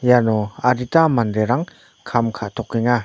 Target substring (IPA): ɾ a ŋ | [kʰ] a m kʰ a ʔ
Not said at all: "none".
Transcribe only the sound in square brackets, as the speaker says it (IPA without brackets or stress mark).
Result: kʰ